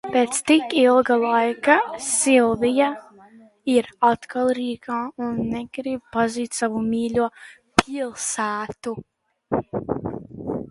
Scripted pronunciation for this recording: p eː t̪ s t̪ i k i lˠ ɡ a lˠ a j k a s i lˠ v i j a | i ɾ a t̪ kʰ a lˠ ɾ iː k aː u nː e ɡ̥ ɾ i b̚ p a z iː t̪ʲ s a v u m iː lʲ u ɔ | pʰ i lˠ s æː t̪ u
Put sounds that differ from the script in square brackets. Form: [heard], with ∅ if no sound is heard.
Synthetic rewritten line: p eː t̪ s t̪ i k i lˠ ɡ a lˠ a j k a s i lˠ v i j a | i ɾ a t̪ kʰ a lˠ ɾ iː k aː u nː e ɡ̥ ɾ i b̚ p a z iː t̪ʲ s a v u m iː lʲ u ɔ | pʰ i lˠ s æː t̪ u